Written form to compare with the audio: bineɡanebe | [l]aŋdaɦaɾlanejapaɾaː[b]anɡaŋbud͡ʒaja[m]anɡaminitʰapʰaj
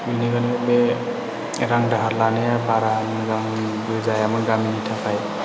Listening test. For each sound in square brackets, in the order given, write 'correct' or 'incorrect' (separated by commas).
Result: incorrect, incorrect, correct